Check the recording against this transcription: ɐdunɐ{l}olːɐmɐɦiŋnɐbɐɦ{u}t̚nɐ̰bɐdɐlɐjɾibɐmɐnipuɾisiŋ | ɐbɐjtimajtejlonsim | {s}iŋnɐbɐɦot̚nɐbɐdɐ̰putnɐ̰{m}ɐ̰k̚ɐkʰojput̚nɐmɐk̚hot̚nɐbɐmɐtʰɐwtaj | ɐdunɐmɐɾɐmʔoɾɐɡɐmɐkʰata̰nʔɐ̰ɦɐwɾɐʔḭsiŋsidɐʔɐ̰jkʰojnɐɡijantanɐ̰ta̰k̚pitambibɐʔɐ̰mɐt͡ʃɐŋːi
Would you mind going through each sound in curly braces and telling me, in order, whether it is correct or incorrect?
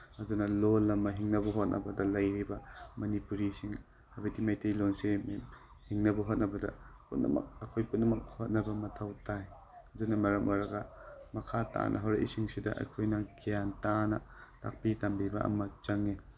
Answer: correct, incorrect, incorrect, correct

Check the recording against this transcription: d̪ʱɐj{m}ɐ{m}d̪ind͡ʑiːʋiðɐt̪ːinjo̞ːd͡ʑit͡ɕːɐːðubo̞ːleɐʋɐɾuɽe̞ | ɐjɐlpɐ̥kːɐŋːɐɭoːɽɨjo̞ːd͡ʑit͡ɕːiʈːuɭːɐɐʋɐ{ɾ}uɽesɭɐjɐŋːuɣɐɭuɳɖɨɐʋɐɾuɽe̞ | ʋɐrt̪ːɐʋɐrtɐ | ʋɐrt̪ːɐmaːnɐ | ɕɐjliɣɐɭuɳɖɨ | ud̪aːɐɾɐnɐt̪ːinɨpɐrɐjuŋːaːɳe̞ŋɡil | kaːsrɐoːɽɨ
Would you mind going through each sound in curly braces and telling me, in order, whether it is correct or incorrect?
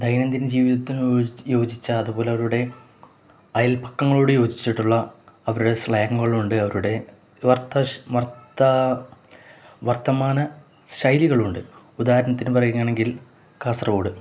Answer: incorrect, incorrect, correct

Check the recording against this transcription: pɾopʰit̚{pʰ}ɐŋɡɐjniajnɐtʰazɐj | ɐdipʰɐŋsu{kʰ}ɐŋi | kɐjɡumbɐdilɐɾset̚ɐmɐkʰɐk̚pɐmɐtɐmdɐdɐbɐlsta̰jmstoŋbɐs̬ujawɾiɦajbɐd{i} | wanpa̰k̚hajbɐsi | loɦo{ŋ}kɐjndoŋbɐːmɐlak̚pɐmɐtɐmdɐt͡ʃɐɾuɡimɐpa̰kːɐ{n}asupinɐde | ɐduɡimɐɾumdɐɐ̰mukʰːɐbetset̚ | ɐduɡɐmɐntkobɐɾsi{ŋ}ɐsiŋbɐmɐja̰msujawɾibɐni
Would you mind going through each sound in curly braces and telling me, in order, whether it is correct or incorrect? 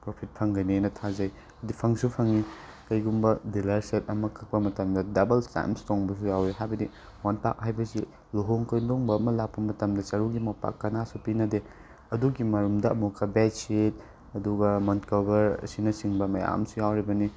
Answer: correct, incorrect, correct, correct, correct, incorrect

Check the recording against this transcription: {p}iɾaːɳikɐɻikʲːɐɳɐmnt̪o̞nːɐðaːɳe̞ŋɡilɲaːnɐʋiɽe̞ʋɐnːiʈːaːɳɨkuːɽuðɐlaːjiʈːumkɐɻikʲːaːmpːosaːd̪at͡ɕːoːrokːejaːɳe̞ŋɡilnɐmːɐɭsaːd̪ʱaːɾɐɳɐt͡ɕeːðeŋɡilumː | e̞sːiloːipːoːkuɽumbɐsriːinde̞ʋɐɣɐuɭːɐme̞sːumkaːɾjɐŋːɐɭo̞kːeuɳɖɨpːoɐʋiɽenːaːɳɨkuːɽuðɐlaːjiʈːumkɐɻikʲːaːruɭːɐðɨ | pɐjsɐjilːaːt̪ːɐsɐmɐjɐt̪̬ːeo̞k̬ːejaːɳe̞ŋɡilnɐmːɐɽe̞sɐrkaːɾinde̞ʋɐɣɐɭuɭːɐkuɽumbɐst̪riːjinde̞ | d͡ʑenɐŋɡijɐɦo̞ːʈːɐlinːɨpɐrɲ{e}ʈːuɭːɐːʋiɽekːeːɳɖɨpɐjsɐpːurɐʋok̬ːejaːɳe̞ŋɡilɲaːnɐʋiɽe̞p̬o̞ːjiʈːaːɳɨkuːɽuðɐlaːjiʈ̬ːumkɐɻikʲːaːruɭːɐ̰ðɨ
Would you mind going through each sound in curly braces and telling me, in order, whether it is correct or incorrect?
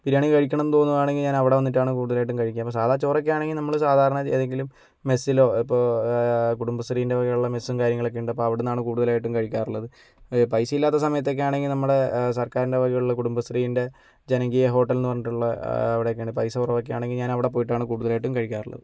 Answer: correct, incorrect

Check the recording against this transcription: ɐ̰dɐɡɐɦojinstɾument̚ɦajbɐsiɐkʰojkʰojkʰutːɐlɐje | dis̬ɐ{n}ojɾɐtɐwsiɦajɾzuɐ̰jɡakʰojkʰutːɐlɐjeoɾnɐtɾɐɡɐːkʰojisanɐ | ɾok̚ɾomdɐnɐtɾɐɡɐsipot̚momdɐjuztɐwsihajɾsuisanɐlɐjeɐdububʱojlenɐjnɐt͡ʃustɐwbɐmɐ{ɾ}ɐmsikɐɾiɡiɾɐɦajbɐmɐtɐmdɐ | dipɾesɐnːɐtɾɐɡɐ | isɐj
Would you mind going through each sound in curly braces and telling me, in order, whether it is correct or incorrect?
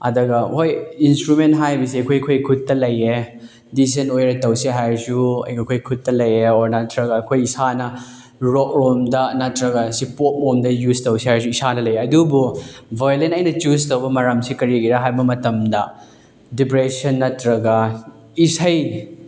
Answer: correct, correct

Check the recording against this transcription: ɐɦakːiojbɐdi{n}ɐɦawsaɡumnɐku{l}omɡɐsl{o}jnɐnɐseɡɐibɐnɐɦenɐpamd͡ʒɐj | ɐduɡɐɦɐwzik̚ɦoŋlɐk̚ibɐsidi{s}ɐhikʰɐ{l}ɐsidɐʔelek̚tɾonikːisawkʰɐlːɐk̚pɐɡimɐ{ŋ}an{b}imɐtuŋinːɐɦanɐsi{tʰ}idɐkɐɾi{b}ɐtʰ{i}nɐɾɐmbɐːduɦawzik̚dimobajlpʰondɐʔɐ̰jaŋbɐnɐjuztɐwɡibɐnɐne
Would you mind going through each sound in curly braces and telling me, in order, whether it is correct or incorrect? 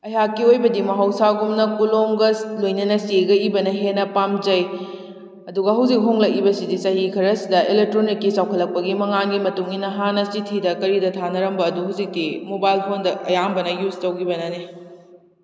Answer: incorrect, correct, correct, correct, incorrect, correct, incorrect, correct, incorrect, incorrect

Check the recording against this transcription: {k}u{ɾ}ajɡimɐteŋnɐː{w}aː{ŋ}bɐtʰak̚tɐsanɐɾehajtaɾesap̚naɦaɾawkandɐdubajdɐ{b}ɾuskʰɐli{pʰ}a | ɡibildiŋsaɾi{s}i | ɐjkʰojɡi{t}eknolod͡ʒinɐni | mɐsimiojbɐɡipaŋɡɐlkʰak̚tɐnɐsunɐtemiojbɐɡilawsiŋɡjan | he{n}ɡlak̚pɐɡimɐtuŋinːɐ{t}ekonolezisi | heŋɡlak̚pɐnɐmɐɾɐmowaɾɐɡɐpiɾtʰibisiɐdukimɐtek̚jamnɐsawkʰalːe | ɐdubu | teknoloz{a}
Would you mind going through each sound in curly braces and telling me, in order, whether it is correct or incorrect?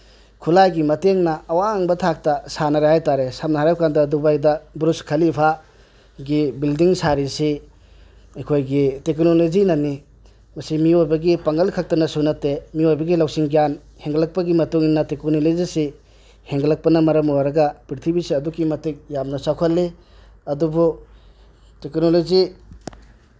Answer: incorrect, incorrect, correct, correct, correct, correct, correct, correct, incorrect, correct, incorrect

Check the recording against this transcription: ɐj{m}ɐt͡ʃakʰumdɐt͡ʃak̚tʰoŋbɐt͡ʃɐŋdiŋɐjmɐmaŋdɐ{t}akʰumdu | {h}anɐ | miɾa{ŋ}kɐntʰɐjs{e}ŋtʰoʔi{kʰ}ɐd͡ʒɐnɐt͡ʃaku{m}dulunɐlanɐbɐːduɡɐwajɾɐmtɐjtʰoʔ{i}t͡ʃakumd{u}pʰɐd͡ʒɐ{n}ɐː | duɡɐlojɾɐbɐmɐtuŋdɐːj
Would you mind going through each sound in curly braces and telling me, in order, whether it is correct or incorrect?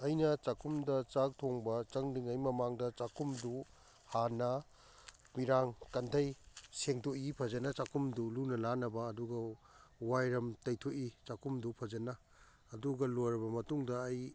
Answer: incorrect, incorrect, correct, correct, correct, incorrect, correct, correct, correct, correct

